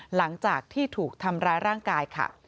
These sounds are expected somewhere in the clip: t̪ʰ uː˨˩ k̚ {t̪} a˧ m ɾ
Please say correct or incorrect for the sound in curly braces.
incorrect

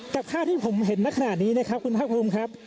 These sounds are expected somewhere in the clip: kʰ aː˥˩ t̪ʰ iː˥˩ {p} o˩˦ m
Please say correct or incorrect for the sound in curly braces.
incorrect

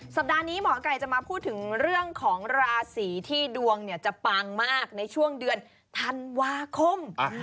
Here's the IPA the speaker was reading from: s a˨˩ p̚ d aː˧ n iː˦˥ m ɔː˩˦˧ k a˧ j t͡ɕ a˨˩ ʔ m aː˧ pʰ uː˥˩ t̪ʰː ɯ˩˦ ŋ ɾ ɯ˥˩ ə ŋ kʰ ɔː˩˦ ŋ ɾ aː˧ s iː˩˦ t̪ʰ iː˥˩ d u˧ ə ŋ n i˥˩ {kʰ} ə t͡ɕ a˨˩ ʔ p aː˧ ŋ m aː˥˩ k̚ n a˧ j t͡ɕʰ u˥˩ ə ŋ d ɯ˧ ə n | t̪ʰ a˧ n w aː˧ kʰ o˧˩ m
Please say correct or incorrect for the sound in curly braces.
incorrect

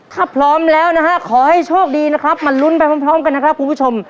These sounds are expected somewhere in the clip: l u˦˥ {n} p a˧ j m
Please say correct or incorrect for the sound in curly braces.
correct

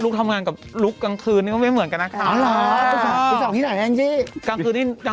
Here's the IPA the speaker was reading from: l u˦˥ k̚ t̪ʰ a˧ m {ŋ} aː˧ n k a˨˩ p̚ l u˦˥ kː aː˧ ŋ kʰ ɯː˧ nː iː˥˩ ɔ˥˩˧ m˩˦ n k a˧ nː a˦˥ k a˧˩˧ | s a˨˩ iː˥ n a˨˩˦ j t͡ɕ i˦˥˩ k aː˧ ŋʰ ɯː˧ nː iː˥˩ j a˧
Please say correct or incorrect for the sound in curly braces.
correct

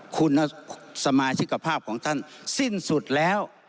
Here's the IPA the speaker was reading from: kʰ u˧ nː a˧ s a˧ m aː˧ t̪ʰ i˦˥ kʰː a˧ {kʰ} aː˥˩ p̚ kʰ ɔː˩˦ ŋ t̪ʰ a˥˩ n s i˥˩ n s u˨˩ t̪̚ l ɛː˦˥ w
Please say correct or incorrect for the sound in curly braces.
incorrect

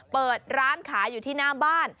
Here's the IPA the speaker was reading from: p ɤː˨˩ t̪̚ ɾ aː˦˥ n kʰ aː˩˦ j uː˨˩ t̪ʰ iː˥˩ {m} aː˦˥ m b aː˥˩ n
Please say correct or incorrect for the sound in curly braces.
incorrect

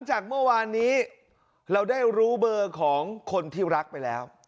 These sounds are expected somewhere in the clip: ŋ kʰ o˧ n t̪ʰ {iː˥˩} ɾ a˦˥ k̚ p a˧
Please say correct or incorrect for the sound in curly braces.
correct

